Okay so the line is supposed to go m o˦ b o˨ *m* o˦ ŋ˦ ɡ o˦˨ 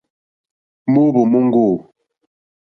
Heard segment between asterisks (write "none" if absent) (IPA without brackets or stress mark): m